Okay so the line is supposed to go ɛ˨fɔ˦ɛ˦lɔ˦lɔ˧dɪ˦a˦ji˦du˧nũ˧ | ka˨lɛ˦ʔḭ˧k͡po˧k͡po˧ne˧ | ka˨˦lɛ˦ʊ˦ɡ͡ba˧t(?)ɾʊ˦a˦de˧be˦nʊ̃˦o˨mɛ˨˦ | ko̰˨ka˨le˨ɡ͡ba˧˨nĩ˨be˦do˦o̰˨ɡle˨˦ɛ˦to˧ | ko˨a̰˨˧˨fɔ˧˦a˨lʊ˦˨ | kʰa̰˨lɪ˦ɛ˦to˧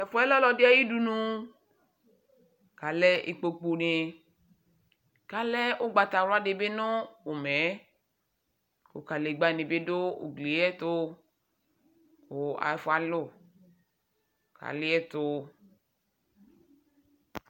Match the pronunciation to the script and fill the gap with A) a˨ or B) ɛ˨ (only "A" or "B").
A